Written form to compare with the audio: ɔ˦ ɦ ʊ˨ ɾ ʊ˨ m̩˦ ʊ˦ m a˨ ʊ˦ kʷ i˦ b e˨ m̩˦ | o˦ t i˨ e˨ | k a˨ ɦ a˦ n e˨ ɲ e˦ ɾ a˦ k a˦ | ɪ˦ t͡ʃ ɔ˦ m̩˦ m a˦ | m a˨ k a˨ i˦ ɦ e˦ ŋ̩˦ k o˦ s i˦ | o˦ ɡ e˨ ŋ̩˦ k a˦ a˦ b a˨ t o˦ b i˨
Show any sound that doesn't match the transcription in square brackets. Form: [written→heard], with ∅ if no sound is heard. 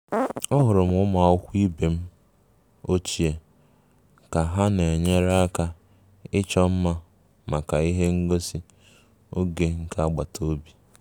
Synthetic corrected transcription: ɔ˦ ɦ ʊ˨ ɾ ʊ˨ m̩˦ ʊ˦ m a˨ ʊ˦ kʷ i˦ b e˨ m̩˦ | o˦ [t→t͡ʃ] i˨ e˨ | k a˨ ɦ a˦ n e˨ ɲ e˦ ɾ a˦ k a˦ | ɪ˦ t͡ʃ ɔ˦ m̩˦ m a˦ | m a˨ k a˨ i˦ ɦ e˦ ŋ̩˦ [k→ɡ] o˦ s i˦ | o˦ ɡ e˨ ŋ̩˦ k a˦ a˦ [b→ɡ͡b] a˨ t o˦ b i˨

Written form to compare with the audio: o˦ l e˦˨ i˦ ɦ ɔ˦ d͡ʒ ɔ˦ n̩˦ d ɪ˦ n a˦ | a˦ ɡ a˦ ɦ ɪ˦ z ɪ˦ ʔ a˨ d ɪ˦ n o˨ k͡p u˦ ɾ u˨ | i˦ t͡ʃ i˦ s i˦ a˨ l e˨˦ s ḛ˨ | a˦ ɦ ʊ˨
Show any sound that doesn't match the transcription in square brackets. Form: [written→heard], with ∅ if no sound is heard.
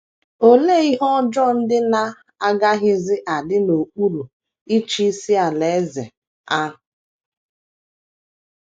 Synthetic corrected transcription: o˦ l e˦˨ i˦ ɦ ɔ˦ d͡ʒ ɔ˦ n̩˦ d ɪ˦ n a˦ | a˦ ɡ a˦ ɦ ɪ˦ z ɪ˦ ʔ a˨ d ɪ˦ n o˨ k͡p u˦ ɾ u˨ | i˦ t͡ʃ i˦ s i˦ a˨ l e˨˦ [s→z] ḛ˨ | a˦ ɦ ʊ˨

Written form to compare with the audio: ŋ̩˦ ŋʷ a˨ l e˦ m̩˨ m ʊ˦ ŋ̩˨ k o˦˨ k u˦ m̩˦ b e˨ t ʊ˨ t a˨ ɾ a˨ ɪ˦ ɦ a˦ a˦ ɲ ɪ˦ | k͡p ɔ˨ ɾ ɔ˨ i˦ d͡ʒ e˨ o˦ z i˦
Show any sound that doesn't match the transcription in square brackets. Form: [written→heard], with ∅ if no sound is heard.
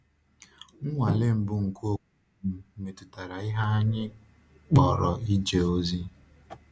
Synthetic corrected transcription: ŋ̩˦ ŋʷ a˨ l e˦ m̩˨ [m→b] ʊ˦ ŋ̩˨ k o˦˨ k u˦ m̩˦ [b→m] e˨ t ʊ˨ t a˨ ɾ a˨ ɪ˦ ɦ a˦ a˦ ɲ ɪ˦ | k͡p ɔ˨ ɾ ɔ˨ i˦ d͡ʒ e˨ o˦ z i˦

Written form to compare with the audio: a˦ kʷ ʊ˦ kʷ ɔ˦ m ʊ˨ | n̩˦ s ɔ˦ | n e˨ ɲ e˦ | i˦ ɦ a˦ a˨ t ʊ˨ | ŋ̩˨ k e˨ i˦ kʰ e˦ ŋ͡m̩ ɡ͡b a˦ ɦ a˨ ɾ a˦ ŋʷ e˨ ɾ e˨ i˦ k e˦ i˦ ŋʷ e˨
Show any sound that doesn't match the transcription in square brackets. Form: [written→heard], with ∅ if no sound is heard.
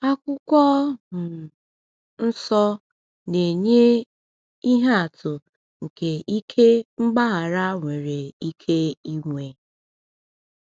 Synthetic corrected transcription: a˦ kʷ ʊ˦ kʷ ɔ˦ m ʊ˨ | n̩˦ s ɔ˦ | n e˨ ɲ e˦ | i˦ ɦ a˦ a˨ t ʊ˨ | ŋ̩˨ k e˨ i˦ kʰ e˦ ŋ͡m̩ ɡ͡b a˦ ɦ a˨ ɾ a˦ ŋʷ e˨ ɾ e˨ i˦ [k→kʰ] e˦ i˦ ŋʷ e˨

